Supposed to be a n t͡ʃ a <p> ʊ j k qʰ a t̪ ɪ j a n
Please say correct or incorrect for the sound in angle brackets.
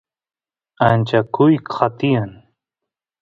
incorrect: k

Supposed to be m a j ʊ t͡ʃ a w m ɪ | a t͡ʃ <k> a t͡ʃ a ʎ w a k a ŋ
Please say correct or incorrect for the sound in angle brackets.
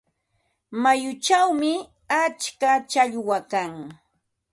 correct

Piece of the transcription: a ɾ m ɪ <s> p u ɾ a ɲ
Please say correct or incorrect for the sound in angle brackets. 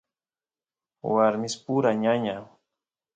correct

